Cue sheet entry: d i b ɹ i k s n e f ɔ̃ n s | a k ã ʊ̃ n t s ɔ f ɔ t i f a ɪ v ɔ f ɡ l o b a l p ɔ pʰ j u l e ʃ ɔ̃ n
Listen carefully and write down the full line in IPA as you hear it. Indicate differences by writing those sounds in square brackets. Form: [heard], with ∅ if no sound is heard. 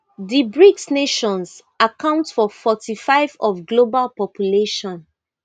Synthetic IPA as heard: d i b ɹ i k s n e [ʃ] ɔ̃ n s | a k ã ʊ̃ n t [f] ɔ f ɔ t i f a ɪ v ɔ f ɡ l o b a l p ɔ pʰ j u l e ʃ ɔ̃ n